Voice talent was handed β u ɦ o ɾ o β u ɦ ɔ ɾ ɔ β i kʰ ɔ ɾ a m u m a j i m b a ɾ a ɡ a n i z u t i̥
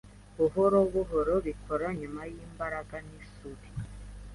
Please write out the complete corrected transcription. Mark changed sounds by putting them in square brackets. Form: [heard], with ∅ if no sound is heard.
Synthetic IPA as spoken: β u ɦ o ɾ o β u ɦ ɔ ɾ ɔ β i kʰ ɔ ɾ a [ɲ] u m a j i m b a ɾ a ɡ a n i [s] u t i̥

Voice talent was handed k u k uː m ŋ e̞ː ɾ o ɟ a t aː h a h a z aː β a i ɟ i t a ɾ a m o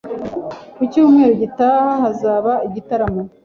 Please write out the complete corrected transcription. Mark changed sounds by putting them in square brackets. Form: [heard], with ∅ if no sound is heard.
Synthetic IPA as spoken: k u [c] uː m ŋ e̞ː ɾ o ɟ [i] t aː h a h a z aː β a i ɟ i t a ɾ a m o

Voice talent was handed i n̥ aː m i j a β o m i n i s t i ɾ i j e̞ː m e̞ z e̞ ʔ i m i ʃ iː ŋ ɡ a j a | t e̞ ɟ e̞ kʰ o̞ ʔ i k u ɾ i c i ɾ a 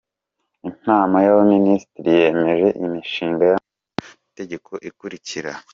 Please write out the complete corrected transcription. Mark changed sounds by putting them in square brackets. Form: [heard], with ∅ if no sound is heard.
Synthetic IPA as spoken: i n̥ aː m [a] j a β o m i n i s t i ɾ i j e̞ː m e̞ [ʒ] e̞ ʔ i m i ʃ iː ŋ ɡ a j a | t e̞ ɟ e̞ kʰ o̞ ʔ i k u ɾ i c i ɾ a

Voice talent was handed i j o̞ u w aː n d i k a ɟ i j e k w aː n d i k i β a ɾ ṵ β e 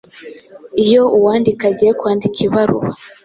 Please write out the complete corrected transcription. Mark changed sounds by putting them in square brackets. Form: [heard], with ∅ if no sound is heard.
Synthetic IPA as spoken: i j o̞ u w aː n d i k a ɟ i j e k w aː n d i k i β a ɾ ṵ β [a]

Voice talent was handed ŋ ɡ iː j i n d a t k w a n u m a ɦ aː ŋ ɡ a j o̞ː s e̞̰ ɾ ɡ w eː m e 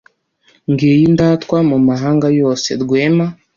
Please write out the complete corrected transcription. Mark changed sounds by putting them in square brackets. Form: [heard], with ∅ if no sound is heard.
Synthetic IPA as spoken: ŋ ɡ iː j i n d a t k w a [m] u m a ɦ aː ŋ ɡ a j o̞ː s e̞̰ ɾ ɡ w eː m [a]

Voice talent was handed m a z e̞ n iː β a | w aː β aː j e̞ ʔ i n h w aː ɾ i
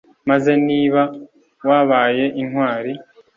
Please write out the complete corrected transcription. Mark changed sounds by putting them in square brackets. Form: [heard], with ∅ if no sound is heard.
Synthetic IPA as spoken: m a z e̞ n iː β a | w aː β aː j e̞ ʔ i n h w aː ɾ i

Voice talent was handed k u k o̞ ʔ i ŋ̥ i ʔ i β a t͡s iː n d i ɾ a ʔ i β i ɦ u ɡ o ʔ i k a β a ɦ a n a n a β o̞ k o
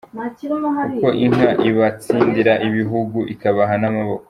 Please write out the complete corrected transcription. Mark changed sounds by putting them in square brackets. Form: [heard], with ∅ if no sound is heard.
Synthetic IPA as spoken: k u k o̞ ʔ i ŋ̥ [a] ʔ i β a t͡s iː n d i ɾ a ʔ i β i ɦ u ɡ [u] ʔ i k a β a ɦ a n a [m] a β o̞ k o

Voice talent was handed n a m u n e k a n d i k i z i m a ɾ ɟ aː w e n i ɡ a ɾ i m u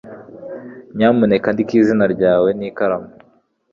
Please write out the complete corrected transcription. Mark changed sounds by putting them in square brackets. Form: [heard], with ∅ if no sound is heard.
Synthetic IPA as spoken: [ɲ] a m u n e k a n d i k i z i [n] a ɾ ɟ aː w e n i [k] a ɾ [a] m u

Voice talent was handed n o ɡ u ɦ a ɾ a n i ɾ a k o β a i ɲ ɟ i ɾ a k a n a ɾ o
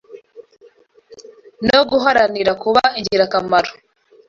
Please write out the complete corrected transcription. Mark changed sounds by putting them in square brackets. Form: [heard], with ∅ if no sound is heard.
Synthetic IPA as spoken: n o ɡ u ɦ a ɾ a n i ɾ a k [u] β a i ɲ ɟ i ɾ a k a [m] a ɾ o

